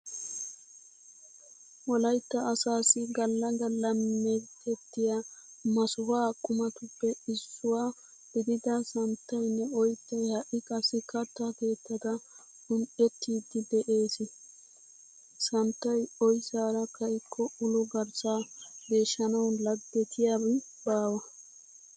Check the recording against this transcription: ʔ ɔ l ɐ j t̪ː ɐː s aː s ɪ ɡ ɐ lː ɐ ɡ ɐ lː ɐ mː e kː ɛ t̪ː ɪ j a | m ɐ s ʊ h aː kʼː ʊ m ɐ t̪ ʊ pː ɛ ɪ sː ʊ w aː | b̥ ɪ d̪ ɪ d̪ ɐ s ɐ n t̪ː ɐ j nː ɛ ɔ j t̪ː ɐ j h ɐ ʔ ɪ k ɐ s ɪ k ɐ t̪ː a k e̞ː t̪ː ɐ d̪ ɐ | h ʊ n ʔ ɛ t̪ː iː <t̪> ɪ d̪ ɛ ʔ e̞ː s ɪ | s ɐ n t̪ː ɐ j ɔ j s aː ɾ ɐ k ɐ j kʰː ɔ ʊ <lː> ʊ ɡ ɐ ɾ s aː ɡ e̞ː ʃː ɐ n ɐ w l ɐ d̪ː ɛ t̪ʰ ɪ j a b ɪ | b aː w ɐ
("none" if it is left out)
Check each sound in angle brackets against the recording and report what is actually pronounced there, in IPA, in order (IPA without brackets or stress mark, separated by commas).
d̪, l